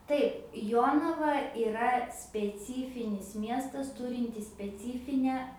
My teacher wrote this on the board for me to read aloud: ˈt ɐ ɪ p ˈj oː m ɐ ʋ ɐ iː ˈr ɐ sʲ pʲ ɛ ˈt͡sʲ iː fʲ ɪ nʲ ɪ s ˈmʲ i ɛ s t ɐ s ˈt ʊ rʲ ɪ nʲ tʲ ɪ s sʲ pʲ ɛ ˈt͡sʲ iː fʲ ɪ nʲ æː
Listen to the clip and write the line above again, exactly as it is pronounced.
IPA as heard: ˈt ɐ ɪ p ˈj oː n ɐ ʋ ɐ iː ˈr ɐ sʲ pʲ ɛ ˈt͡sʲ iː fʲ ɪ nʲ ɪ s ˈmʲ i ɛ s t ɐ s ˈt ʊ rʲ ɪ nʲ tʲ ɪ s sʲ pʲ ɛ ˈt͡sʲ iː fʲ ɪ nʲ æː